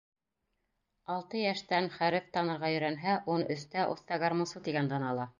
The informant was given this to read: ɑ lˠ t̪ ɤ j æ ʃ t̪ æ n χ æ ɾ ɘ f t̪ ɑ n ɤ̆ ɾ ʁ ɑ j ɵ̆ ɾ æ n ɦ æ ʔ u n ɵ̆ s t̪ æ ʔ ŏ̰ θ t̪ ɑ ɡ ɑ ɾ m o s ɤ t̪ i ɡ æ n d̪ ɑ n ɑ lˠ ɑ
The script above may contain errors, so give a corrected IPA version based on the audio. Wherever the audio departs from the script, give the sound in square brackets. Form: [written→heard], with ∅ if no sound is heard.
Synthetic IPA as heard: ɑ lˠ t̪ ɤ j æ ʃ t̪ æ n χ æ ɾ ɘ f t̪ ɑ n ɤ̆ ɾ ʁ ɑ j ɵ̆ ɾ æ n ɦ æ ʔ u n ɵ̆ s t̪ æ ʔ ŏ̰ θ t̪ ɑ ɡ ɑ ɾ m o s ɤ t̪ i ɡ æ n d̪ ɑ n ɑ lˠ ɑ